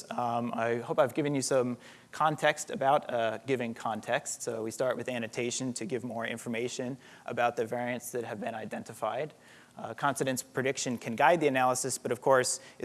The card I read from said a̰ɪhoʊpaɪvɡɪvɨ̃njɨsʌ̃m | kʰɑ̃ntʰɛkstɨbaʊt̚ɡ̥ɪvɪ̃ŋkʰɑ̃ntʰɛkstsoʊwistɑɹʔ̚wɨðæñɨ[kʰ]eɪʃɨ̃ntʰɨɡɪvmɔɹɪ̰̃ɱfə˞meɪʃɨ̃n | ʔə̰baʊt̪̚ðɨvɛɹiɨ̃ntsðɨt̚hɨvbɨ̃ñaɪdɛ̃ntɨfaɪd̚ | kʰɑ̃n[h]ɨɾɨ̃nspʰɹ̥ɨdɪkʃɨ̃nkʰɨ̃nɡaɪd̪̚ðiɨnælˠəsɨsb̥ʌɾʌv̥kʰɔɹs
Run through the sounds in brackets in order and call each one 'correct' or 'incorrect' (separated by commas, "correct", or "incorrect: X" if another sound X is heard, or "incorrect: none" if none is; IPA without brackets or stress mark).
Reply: incorrect: tʰ, incorrect: f